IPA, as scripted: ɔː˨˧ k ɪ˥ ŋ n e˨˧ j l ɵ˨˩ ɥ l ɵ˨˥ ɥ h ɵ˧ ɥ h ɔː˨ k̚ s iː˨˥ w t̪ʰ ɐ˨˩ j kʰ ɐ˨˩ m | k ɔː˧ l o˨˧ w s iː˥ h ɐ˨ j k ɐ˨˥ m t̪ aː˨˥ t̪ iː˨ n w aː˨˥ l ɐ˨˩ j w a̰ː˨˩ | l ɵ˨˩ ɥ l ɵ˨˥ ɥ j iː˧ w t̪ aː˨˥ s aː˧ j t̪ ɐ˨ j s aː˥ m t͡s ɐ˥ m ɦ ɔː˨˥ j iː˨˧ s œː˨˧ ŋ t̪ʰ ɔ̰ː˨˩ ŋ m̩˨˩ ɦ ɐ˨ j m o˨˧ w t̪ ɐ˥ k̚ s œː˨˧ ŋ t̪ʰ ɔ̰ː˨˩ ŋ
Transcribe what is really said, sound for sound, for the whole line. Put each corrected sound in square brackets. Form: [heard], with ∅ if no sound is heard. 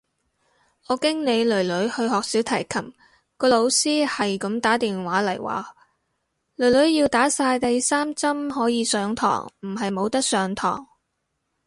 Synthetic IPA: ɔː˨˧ k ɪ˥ ŋ n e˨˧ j l ɵ˨˩ ɥ l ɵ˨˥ ɥ h ɵ˧ ɥ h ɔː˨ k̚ s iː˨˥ w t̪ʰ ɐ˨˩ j kʰ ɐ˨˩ m | k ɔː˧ l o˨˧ w s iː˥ h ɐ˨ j k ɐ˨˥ m t̪ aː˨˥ t̪ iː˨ n w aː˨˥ l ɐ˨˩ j w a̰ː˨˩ | l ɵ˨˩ ɥ l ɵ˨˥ ɥ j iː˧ w t̪ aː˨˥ s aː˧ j t̪ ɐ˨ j s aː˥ m t͡s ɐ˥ m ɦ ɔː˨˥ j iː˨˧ s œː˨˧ ŋ t̪ʰ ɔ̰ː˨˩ ŋ m̩˨˩ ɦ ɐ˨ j m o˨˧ w t̪ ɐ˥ k̚ s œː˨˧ ŋ t̪ʰ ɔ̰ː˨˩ ŋ